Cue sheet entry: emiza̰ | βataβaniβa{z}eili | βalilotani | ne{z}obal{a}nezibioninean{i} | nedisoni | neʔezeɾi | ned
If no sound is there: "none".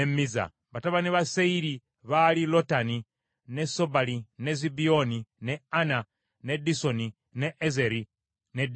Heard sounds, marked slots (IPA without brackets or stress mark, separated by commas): s, s, i, a